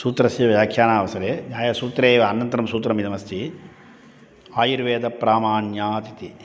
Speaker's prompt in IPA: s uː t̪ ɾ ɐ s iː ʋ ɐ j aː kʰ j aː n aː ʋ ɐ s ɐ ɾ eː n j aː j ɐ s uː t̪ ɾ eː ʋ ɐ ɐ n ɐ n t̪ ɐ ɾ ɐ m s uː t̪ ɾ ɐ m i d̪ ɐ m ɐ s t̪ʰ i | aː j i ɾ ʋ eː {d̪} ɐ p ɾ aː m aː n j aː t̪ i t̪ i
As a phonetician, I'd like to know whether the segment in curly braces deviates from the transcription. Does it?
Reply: no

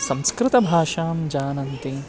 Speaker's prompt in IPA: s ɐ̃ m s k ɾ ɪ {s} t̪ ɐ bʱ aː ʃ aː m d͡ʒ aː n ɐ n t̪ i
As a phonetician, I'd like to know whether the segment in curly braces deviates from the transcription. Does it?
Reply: yes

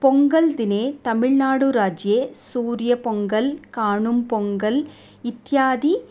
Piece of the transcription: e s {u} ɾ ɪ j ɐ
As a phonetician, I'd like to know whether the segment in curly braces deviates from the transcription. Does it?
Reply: yes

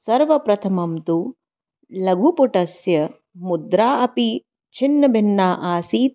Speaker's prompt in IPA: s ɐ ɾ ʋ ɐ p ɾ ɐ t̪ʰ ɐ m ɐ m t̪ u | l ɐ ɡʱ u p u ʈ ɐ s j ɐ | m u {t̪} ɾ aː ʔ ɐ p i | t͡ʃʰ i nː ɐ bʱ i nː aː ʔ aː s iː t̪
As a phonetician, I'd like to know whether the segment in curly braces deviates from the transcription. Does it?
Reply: yes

